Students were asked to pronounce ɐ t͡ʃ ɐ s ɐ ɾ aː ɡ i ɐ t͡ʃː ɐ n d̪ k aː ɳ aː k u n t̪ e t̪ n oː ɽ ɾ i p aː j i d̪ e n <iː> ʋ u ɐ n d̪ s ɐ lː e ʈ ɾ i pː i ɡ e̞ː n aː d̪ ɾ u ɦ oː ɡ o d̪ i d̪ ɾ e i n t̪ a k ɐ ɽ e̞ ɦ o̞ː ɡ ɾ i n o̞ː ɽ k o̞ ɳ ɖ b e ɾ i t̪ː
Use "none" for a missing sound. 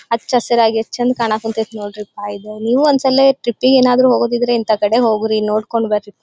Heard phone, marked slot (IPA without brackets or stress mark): iː